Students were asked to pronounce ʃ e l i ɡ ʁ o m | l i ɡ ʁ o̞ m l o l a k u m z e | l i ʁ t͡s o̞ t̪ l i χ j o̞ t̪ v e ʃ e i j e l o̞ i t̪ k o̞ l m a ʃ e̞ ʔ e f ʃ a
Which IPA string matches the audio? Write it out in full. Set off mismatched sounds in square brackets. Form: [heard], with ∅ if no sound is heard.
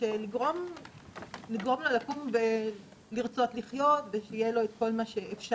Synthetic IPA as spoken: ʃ e l i ɡ ʁ o m | l i ɡ ʁ o̞ m l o l a k u m [v] e | l i ʁ t͡s o̞ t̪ l i χ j o̞ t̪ v e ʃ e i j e l o̞ [e] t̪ k o̞ l m a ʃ e̞ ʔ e f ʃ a